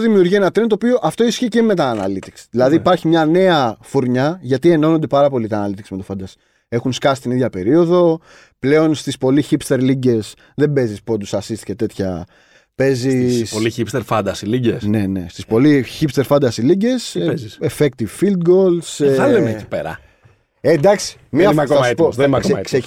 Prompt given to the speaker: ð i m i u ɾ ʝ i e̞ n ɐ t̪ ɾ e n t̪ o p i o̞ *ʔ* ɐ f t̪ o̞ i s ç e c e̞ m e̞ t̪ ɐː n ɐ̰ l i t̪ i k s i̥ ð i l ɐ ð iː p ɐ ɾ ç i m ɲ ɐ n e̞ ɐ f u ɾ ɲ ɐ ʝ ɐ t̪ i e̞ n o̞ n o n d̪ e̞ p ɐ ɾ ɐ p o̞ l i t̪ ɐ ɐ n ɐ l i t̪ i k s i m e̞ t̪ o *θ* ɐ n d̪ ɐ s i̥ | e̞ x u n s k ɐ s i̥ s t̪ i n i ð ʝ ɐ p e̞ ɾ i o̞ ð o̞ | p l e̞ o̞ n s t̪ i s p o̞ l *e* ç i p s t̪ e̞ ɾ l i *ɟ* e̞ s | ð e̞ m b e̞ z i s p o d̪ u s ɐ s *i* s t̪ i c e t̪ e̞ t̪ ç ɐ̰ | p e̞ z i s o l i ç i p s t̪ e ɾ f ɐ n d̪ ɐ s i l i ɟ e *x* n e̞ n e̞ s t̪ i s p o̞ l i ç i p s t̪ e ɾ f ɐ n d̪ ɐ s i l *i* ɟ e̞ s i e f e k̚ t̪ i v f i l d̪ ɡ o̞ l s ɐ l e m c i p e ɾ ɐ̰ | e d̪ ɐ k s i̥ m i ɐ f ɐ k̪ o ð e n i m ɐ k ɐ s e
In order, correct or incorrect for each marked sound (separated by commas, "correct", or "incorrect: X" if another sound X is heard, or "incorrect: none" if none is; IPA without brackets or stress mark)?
correct, incorrect: f, incorrect: i, correct, correct, incorrect: s, correct